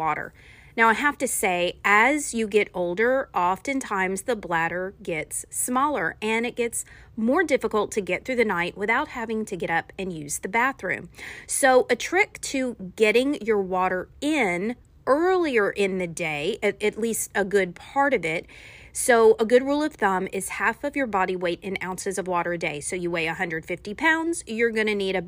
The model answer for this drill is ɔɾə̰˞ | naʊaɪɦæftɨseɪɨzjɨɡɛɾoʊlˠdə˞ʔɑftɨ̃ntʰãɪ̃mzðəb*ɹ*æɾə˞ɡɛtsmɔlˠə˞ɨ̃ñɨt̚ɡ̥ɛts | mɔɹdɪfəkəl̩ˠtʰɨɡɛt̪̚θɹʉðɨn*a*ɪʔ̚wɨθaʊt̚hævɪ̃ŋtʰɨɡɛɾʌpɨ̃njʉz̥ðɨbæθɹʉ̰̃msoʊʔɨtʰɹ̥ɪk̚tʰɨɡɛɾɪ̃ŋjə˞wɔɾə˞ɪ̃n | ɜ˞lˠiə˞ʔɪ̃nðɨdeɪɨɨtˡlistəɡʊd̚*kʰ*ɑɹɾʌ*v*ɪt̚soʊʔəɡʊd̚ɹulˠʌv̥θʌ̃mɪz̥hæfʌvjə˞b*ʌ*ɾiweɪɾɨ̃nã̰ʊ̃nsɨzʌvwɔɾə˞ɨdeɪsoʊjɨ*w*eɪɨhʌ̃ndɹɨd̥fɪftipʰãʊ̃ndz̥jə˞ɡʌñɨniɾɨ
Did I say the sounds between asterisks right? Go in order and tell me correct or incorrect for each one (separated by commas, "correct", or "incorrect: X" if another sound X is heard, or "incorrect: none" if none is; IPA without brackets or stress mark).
incorrect: l, correct, incorrect: pʰ, correct, incorrect: ɑ, correct